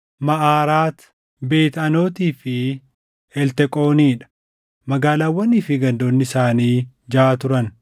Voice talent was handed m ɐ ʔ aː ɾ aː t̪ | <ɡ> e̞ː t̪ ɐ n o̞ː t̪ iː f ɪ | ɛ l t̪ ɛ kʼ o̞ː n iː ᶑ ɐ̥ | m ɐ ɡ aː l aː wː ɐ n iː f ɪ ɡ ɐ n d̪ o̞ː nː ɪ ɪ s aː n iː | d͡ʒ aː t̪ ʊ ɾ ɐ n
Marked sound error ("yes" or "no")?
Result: yes